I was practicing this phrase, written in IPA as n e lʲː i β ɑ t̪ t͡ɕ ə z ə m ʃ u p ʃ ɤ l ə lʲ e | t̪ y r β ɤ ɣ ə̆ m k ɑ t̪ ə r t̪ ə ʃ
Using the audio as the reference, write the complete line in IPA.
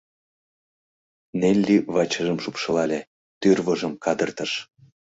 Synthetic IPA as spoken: n e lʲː i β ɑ t͡ɕ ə ʒ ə m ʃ u p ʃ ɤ l ɑ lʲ e | t̪ y r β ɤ ʒ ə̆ m k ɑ d̪ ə r t̪ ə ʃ

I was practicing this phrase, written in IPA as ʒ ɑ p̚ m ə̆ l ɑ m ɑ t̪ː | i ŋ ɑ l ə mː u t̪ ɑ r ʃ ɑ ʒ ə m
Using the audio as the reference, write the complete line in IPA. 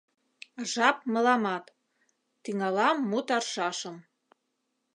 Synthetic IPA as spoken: ʒ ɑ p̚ m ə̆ l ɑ m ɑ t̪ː | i ŋ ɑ l ɑ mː u t̪ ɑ r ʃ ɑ ʃ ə m

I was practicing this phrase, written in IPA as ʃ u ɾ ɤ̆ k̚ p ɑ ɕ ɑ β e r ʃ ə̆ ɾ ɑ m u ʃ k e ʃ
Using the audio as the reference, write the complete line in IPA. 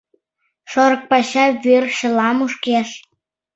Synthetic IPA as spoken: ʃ o ɾ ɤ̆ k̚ p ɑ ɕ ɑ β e r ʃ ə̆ l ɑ m u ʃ k e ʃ

